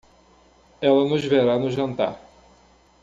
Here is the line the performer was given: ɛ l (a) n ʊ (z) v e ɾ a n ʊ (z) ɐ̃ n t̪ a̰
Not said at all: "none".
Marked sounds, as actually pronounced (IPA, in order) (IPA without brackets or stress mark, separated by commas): ɐ, ʒ, ʒ